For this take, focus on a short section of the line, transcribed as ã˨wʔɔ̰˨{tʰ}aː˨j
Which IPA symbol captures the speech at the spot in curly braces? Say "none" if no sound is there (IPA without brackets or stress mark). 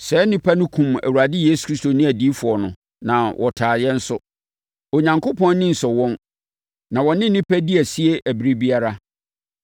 tʰ